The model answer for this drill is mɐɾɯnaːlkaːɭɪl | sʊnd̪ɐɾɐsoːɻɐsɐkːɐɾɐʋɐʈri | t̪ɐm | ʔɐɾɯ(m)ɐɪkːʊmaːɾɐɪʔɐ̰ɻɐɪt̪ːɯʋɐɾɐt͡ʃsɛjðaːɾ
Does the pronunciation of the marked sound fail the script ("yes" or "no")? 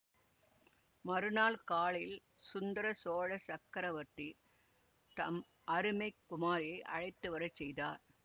no